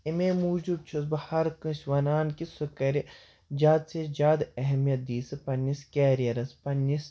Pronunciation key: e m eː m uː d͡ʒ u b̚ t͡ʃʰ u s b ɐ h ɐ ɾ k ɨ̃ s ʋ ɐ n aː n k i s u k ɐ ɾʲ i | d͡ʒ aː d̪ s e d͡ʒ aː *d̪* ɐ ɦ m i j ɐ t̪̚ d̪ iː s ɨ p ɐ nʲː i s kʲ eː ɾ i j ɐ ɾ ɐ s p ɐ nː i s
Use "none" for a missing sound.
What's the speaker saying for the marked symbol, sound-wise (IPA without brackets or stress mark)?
d̪